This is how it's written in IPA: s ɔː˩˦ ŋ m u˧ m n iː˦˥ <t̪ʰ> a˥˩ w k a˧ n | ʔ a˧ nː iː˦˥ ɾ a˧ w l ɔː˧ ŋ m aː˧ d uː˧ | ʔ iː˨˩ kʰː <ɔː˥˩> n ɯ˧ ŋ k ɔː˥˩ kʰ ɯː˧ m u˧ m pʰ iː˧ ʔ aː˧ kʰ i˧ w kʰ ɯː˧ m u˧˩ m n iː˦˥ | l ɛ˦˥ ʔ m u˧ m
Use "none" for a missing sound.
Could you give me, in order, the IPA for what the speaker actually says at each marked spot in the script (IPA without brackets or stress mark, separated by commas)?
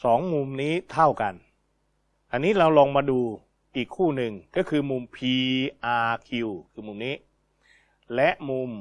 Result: t̪ʰ, uː˥˩